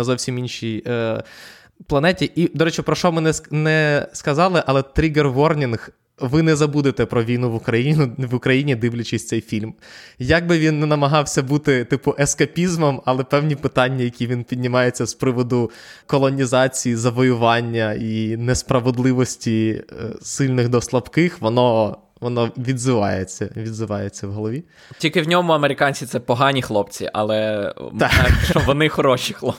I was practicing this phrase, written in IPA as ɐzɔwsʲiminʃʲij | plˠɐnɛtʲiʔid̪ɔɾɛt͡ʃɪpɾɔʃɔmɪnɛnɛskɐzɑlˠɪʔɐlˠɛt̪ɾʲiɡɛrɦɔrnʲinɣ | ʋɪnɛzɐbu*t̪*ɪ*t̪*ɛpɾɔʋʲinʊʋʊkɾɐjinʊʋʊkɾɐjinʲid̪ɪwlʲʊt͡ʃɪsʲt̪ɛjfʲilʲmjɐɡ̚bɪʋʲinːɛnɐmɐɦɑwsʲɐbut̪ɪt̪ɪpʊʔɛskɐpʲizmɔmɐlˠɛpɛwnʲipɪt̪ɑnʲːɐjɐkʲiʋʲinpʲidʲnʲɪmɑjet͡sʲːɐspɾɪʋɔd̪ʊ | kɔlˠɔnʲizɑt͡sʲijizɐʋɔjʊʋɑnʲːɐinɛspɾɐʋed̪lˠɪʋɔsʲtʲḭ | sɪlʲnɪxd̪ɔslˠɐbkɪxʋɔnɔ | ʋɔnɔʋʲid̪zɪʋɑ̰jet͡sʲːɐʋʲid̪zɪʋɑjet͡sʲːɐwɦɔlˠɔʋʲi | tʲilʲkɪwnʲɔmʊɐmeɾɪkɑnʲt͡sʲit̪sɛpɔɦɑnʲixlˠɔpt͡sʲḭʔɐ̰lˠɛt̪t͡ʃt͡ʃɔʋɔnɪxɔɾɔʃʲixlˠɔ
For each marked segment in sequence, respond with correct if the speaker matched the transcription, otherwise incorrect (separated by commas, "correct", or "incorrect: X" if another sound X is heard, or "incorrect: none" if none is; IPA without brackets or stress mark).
incorrect: d̪, correct